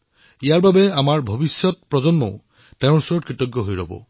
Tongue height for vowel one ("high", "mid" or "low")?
high